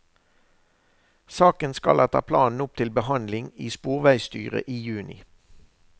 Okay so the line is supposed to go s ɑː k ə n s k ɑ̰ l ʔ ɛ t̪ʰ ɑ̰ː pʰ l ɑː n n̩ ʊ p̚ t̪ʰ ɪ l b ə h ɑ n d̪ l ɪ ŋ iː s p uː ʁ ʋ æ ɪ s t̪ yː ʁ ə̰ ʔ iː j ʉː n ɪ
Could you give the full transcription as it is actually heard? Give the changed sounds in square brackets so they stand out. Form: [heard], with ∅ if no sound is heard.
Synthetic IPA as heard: s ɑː k ə n s k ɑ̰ l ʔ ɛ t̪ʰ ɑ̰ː pʰ l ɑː n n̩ ʊ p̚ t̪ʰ ɪ l b ə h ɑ n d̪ l ɪ ŋ iː s p uː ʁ ʋ æ ɪ s t̪ yː ʁ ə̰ ʔ iː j ʉː n ɪ

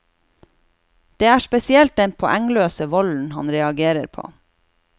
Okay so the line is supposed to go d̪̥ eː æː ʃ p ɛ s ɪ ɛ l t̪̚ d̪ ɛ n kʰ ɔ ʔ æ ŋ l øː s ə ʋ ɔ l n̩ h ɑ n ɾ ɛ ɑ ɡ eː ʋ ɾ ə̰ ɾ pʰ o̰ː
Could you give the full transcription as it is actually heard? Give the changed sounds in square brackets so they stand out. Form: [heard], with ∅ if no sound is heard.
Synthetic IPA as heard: d̪̥ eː æː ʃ p ɛ s ɪ ɛ l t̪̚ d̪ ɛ n [pʰ] ɔ ʔ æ ŋ l øː s ə ʋ ɔ l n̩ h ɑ n ɾ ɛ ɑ ɡ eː [∅] ɾ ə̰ ɾ pʰ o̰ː

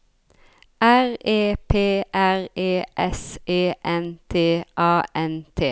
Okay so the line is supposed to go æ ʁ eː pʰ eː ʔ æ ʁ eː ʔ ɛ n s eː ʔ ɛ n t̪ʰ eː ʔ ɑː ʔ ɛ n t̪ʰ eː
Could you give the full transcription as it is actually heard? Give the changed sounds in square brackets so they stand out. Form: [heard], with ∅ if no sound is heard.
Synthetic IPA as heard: æ ʁ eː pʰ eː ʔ æ ʁ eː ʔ ɛ [∅] s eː ʔ ɛ n t̪ʰ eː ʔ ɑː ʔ ɛ n t̪ʰ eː

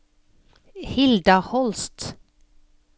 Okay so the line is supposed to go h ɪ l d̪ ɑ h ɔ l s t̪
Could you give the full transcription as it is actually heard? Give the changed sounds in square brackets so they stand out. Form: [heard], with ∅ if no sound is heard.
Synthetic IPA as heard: h ɪ l d̪ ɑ h ɔ l s t̪

